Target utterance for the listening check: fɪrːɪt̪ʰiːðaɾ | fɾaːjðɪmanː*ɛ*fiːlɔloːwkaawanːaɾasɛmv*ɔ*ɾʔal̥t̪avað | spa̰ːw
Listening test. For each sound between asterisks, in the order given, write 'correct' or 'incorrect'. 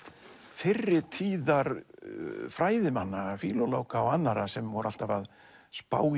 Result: incorrect, correct

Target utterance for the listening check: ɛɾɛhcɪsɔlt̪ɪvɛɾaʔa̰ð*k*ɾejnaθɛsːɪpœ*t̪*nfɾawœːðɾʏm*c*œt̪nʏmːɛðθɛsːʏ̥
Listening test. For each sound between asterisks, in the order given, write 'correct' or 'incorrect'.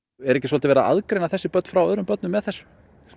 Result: correct, correct, incorrect

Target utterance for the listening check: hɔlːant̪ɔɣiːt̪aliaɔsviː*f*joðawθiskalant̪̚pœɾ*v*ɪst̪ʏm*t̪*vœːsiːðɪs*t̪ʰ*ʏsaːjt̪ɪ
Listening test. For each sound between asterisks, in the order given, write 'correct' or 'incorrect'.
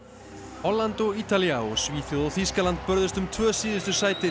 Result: incorrect, incorrect, incorrect, incorrect

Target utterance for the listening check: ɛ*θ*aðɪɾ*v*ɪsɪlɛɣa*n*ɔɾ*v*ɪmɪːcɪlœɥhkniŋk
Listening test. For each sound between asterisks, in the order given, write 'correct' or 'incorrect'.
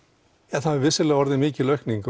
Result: correct, correct, incorrect, incorrect

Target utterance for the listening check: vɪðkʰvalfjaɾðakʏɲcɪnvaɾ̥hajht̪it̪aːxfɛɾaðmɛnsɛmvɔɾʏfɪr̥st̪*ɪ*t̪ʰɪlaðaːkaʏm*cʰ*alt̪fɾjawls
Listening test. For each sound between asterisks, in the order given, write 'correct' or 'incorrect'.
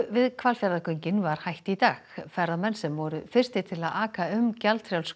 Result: correct, incorrect

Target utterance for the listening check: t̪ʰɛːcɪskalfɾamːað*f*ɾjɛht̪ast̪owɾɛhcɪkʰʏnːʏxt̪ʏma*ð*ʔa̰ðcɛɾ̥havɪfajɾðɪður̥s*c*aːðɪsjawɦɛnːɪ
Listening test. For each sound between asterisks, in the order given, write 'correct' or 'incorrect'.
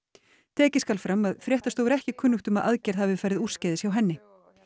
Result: correct, correct, correct

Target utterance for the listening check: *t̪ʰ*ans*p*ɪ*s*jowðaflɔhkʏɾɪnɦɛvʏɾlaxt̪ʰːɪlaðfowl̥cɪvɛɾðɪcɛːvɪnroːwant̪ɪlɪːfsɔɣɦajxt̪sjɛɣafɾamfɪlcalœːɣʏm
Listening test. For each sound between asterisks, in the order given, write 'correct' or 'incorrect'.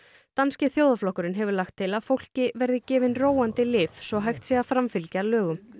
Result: incorrect, incorrect, incorrect

